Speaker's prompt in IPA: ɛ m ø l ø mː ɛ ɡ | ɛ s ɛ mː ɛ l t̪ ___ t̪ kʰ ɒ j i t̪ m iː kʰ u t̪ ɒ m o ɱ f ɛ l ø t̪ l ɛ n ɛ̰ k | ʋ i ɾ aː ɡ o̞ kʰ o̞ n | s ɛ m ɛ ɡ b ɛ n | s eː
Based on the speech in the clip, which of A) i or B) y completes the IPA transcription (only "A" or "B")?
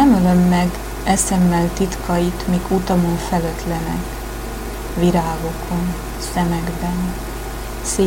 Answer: A